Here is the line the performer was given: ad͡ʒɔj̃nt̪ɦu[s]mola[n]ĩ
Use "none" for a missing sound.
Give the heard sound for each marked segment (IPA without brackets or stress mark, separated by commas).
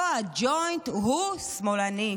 s, n